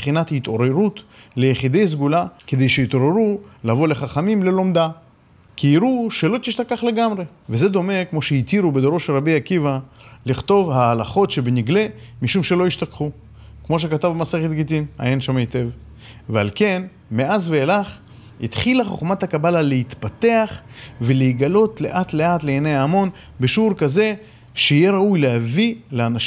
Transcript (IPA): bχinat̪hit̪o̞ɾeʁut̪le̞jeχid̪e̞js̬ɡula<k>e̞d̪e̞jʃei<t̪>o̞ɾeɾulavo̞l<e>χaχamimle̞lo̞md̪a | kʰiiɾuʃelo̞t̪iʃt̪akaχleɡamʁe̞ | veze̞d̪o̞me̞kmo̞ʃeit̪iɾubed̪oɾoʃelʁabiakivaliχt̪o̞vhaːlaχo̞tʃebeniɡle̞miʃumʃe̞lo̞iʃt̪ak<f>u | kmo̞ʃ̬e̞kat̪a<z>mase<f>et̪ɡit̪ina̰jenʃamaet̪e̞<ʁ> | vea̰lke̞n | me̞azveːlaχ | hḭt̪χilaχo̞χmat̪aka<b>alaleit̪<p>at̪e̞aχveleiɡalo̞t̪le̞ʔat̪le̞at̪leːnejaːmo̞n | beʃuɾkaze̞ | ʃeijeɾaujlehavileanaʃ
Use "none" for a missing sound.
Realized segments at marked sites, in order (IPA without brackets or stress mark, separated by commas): k, t̪, e, χ, v, χ, v, b, p